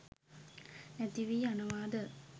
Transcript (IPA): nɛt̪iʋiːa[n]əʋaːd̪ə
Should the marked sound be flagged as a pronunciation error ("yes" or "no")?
no